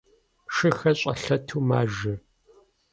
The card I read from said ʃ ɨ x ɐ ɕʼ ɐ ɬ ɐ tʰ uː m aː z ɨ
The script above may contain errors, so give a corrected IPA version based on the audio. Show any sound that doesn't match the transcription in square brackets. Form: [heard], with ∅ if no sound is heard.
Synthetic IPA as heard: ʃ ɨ x ɐ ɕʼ ɐ ɬ ɐ tʰ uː m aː [ʒ] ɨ